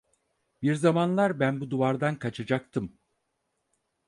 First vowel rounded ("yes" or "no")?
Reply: no